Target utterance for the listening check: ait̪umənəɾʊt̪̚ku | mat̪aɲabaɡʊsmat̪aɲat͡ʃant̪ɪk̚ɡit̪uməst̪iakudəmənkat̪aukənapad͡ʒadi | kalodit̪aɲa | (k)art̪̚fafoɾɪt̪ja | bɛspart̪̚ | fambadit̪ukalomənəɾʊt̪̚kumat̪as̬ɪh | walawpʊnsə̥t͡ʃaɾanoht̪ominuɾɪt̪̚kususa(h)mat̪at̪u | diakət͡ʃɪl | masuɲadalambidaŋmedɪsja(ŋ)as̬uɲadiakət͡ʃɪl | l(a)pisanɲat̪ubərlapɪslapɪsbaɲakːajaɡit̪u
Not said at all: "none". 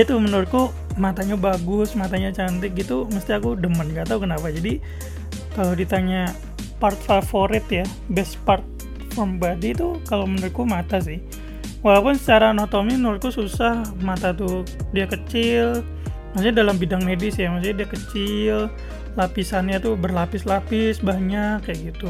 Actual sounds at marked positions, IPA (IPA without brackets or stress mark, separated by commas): p, h, m, a